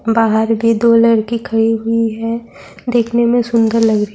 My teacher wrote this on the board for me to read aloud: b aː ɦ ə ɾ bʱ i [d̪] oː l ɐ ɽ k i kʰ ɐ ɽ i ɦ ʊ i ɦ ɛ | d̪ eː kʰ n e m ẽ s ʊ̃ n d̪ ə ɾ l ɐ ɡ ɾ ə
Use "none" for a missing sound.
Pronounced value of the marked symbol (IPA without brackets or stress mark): d̪